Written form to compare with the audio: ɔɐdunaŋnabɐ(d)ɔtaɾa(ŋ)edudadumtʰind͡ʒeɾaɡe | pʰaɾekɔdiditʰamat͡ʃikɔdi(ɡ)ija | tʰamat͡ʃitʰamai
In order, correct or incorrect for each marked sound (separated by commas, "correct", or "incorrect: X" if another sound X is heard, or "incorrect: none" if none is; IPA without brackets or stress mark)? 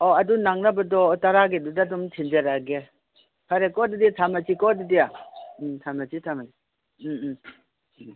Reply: correct, incorrect: ɡ, incorrect: d